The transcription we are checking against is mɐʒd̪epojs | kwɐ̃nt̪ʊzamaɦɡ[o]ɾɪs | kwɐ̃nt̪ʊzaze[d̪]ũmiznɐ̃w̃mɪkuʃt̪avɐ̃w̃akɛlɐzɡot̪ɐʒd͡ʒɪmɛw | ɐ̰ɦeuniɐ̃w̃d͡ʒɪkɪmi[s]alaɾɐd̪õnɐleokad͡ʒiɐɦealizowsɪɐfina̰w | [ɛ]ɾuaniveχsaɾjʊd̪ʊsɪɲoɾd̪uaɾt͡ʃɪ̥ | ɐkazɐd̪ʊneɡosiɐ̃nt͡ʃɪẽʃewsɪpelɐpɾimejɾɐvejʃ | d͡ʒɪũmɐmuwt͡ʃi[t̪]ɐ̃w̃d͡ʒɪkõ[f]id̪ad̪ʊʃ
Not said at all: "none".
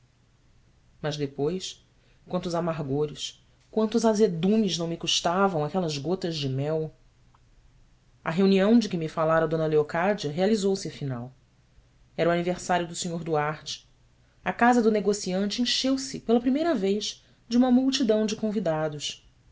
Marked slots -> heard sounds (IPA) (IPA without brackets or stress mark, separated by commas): o, d̪, f, ɛ, d̪, v